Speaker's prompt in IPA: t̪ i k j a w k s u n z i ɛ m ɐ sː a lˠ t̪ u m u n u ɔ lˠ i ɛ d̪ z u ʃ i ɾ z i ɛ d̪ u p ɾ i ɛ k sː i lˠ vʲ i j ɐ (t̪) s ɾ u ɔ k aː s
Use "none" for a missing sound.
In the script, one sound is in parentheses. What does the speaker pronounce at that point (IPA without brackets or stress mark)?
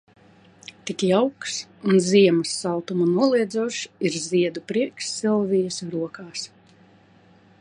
none